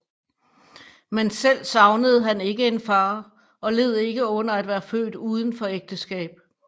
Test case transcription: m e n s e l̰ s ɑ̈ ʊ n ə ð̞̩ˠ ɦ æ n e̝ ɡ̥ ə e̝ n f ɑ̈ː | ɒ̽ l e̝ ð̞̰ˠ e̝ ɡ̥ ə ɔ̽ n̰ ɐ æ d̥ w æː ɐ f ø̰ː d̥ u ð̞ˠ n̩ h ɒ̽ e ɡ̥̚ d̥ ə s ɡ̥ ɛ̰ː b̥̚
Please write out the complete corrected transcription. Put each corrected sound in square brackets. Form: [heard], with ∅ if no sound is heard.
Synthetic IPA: m e n s e l̰ s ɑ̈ ʊ n ə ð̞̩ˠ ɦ æ n e̝ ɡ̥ ə e̝ n f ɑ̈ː | ɒ̽ l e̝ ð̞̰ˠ e̝ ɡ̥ ə ɔ̽ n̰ ɐ æ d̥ [ʋ] æː ɐ f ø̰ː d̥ u ð̞ˠ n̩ [f] ɒ̽ e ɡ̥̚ d̥ ə s ɡ̥ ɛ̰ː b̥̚